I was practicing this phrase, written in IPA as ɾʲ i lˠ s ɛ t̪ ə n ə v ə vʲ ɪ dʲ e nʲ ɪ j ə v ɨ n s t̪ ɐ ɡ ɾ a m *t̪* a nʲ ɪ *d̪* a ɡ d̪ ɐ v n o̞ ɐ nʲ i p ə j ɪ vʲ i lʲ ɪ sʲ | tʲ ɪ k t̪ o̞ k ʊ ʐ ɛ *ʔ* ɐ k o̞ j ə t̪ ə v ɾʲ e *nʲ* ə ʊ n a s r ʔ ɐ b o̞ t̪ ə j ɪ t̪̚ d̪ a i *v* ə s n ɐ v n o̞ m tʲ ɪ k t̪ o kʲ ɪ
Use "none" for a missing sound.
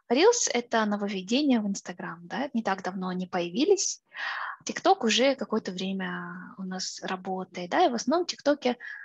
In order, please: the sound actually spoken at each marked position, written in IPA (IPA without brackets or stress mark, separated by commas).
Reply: d̪, t̪, k, mʲ, v